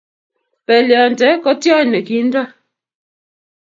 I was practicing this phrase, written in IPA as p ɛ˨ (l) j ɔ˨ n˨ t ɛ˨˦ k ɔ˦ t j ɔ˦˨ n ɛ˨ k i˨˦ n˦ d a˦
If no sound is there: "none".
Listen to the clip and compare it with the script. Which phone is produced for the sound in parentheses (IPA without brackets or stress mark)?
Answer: l